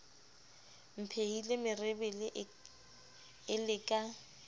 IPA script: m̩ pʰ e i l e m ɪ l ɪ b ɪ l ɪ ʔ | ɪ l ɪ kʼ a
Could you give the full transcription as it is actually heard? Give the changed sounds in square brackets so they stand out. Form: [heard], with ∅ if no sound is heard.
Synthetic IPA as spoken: m̩ pʰ e i l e m ɪ [r] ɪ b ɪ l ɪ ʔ | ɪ l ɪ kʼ a